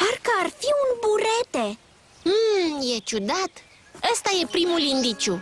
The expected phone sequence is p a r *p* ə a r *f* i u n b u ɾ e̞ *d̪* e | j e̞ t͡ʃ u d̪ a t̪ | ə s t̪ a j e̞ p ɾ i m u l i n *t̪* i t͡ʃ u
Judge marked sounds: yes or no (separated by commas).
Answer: no, yes, no, no